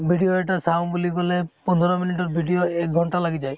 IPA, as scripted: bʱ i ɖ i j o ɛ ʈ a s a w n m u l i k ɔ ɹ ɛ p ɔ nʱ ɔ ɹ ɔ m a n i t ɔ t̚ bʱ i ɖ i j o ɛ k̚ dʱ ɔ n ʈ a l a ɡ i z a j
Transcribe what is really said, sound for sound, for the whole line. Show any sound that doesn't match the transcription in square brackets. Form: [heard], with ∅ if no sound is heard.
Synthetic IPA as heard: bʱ i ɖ i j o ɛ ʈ a s a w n [b] u l i k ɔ [l] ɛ p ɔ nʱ ɔ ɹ ɔ m [i] n i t ɔ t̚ bʱ i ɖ i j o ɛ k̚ [ɡʱ] ɔ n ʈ a l a ɡ i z a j